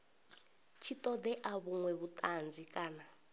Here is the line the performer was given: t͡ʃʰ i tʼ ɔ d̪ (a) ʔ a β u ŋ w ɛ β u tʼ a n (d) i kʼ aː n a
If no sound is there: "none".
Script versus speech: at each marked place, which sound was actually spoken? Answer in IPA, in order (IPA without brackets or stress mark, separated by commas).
ɛ, d͡z